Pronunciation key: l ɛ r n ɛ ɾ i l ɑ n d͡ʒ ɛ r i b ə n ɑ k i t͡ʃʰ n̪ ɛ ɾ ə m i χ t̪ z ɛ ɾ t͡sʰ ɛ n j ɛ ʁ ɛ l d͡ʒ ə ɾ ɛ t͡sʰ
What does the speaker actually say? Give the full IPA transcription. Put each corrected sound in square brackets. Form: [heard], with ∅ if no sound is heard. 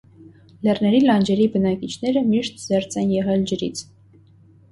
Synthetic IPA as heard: l ɛ r n ɛ ɾ i l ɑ n d͡ʒ ɛ [ɾ] i b ə n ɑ k i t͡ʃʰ n̪ ɛ ɾ ə m i [ʃ] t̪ z ɛ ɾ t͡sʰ ɛ n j ɛ ʁ ɛ l d͡ʒ ə ɾ [i] t͡sʰ